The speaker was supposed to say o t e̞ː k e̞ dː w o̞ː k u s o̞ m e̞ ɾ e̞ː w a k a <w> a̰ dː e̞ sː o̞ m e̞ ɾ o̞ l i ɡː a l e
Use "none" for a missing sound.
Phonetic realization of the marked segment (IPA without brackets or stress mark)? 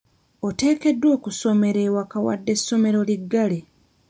w